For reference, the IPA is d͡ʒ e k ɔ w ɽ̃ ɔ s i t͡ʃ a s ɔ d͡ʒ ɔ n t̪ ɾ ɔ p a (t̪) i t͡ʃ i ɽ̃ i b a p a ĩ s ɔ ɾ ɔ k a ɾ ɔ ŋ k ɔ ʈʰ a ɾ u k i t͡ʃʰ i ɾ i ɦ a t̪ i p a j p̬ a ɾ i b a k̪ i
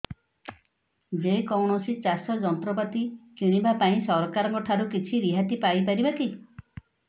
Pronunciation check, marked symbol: correct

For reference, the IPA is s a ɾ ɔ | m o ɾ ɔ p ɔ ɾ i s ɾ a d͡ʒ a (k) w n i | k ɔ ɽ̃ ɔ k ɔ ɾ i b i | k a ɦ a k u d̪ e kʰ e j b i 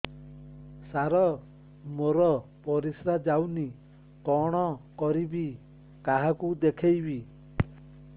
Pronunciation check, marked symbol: incorrect: none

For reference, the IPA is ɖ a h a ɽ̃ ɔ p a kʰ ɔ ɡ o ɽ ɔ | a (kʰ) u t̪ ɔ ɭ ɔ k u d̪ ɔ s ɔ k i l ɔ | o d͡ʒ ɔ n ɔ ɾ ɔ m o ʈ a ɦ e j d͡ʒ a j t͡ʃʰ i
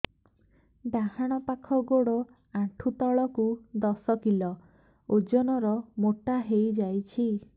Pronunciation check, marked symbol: incorrect: ʈʰ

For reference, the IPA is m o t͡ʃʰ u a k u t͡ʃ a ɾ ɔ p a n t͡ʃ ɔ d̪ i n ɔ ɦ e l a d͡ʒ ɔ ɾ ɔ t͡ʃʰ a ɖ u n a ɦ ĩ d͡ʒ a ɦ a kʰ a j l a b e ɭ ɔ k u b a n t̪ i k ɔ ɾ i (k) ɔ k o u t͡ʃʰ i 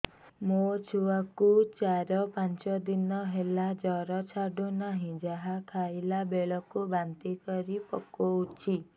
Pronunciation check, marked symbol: incorrect: p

